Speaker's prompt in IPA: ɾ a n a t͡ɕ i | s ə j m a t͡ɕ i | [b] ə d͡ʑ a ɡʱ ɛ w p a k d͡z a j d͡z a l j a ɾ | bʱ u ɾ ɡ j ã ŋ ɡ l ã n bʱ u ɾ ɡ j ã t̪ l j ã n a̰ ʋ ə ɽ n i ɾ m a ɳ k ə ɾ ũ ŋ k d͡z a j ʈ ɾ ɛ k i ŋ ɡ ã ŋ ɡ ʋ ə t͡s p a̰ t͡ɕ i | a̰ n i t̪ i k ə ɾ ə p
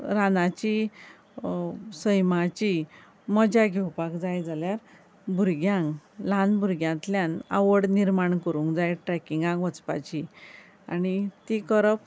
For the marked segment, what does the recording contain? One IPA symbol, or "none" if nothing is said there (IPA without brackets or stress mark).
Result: m